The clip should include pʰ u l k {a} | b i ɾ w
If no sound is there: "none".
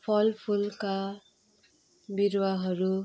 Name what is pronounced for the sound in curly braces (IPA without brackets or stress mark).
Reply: a